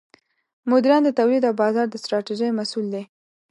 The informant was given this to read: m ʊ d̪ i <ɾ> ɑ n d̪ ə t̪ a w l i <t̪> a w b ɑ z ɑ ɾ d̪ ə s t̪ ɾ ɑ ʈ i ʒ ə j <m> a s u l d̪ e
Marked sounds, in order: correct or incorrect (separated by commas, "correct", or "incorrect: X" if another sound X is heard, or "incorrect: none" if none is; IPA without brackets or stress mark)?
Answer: correct, incorrect: d̪, correct